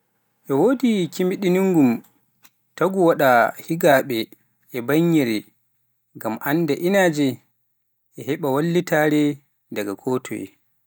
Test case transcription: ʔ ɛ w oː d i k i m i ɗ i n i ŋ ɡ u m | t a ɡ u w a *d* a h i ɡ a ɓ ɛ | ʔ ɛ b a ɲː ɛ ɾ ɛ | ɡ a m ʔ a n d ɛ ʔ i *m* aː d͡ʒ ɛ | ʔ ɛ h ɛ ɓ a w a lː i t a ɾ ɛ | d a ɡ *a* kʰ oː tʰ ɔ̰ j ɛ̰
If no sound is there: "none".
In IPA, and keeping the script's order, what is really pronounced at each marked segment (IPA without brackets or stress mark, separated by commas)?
ɗ, n, a